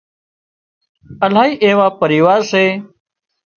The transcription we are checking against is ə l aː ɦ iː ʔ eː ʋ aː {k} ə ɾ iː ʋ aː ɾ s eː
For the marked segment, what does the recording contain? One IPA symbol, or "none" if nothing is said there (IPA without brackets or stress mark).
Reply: p